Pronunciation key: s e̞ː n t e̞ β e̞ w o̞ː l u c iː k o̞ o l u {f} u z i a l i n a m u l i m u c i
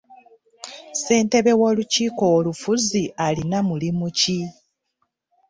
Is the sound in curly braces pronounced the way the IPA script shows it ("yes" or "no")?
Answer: yes